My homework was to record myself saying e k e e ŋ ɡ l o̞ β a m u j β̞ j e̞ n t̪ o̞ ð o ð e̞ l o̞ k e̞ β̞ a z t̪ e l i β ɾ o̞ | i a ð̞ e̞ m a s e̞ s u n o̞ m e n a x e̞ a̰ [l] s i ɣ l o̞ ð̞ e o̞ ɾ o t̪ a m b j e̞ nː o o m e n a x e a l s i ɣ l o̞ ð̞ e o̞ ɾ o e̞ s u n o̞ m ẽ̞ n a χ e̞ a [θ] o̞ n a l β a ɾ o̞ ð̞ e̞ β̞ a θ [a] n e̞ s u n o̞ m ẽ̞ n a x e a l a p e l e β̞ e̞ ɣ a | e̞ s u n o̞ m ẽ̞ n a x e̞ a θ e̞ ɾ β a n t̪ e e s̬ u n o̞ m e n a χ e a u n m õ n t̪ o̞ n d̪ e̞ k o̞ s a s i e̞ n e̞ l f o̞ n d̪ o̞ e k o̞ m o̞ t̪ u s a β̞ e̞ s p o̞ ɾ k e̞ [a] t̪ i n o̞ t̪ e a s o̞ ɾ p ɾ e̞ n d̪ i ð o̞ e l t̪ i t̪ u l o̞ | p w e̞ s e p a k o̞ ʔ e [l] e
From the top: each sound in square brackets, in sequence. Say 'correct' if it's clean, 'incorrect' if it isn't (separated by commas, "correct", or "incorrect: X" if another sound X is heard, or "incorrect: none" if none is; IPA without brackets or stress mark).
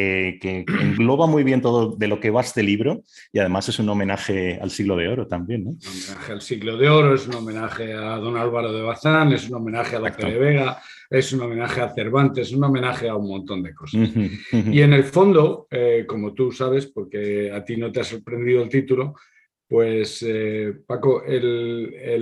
correct, incorrect: ð, correct, correct, correct